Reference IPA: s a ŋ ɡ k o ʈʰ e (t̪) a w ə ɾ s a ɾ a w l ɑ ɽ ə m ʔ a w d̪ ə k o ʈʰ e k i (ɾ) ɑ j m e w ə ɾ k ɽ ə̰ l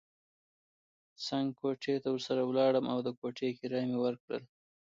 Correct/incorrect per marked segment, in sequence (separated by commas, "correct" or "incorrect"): correct, correct